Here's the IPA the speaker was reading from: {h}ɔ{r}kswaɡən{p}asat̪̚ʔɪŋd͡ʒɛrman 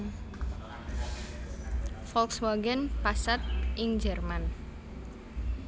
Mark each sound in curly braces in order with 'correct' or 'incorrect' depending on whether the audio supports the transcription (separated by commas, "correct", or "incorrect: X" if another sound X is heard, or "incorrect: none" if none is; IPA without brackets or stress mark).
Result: incorrect: f, incorrect: l, correct